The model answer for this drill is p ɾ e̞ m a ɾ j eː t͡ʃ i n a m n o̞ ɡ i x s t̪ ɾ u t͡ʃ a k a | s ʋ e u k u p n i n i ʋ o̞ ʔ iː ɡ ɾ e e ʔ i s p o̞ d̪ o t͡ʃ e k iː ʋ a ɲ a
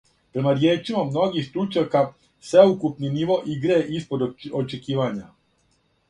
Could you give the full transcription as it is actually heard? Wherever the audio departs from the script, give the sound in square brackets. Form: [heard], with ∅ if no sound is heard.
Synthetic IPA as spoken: p ɾ e̞ m a ɾ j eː t͡ʃ i [m] a m n o̞ ɡ i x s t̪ ɾ u t͡ʃ a k a | s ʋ e u k u p n i n i ʋ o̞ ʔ [i] ɡ ɾ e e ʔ i s p o̞ d̪ o t͡ʃ e k iː ʋ a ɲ a

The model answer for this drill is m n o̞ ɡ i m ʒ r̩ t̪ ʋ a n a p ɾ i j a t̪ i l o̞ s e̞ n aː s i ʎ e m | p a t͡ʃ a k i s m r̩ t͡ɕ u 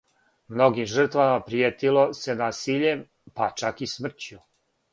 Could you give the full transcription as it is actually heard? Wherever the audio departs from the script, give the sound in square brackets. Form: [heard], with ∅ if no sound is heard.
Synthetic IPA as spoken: m n o̞ ɡ i m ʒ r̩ t̪ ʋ a [m] a p ɾ i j [e] t̪ i l o̞ s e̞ n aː s i ʎ e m | p a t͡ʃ a k i s m r̩ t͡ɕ u

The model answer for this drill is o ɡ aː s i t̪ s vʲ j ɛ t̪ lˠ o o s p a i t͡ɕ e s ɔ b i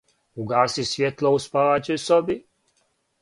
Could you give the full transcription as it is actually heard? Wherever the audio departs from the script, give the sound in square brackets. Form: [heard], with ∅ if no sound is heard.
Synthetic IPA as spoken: [u] ɡ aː s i [∅] s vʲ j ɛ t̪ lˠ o [u] s p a [a] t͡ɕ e s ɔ b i

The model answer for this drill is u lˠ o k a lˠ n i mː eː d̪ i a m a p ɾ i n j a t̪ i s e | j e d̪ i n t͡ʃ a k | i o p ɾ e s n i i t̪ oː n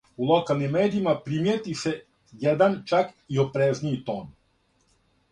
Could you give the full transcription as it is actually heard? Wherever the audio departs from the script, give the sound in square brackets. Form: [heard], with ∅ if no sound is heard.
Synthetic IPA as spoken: u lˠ o k a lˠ n i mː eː d̪ i [i] m a p ɾ i [m] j [e] t̪ i s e | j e d̪ [a] n t͡ʃ a k | i o p ɾ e [z] n i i t̪ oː n

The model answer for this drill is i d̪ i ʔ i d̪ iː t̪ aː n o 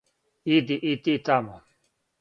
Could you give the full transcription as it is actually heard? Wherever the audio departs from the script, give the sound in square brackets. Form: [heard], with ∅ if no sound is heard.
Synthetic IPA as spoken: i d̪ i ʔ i [t̪] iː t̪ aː [m] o

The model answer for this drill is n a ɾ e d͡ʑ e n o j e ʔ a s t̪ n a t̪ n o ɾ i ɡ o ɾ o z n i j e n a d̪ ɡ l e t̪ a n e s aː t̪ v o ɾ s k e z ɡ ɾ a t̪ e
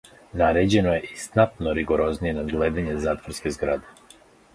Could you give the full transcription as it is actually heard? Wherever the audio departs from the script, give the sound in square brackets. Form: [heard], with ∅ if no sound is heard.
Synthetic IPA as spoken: n a ɾ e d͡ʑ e n o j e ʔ [i] s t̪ n a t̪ n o ɾ i ɡ o ɾ o z n i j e n a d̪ ɡ l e [d̪] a [ɲ] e [z] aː t̪ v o ɾ s k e z ɡ ɾ a [d̪] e

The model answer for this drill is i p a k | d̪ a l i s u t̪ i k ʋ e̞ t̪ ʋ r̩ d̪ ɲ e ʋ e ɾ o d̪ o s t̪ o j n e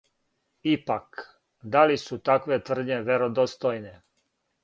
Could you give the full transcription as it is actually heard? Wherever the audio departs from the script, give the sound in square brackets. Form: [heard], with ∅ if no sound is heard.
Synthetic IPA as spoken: i p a k | d̪ a l i s u t̪ [a] k ʋ e̞ t̪ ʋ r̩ d̪ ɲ e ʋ e ɾ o d̪ o s t̪ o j n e

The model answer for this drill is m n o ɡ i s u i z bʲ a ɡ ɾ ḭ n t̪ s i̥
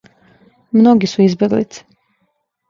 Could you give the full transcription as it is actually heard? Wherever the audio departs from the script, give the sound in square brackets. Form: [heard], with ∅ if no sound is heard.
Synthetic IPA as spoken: m n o ɡ i s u i z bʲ [e] ɡ [l] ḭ [∅] t̪ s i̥

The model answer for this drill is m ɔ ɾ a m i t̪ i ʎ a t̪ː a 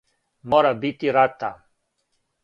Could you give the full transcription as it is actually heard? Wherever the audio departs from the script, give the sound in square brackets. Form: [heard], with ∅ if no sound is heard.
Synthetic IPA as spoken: m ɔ ɾ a [b] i t̪ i [ɾ] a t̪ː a

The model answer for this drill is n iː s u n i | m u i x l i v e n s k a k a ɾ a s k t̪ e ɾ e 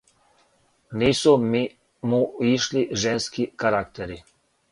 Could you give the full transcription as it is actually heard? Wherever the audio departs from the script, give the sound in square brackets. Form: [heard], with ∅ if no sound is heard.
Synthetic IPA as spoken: n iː s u [m] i | m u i [ʃ] l i [ʒ] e n s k [i] k a ɾ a [∅] k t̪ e ɾ [i]

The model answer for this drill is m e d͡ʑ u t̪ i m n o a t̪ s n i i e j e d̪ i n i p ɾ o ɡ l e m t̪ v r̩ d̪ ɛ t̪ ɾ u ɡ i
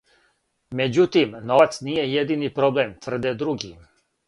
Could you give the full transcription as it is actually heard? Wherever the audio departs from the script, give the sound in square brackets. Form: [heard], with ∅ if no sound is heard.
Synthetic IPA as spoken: m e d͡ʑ u t̪ i m n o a t̪ s n i [j] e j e d̪ i n i p ɾ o [b] l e m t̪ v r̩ d̪ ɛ [d̪] ɾ u ɡ i

